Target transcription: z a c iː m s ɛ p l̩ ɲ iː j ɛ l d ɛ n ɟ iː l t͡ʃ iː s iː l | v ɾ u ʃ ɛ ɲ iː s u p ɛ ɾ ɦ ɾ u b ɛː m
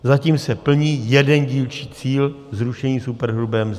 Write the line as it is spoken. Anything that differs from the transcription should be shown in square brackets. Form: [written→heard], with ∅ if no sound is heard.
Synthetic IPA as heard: z a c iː m s ɛ p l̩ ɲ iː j ɛ [l→∅] d ɛ n ɟ iː l t͡ʃ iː [s→t͡s] iː l | [v→z] ɾ u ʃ ɛ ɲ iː s u p ɛ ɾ ɦ ɾ u b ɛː m